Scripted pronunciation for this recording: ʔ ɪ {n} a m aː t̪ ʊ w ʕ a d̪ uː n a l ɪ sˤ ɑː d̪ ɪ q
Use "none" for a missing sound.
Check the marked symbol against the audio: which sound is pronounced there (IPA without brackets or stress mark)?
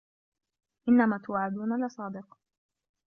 nː